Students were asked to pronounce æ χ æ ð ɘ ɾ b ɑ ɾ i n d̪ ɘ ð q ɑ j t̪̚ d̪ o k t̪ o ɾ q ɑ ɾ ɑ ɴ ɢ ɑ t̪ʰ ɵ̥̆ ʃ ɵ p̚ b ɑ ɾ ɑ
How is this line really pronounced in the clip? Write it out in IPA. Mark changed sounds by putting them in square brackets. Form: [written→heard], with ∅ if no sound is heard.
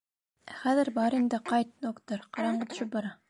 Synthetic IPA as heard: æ χ æ ð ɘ ɾ b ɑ ɾ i n d̪ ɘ [ð→∅] q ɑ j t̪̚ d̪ o k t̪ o ɾ q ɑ ɾ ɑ ɴ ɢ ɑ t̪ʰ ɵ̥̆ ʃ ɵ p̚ b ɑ ɾ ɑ